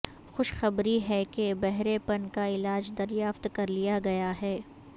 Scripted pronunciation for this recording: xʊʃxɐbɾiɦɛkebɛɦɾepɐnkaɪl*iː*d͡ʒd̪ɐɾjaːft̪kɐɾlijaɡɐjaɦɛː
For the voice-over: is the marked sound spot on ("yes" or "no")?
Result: no